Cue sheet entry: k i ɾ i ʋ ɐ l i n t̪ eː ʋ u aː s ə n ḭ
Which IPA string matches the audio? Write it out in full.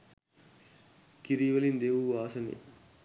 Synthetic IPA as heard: k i ɾ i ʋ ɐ l i n d̪ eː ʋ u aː s ɐ n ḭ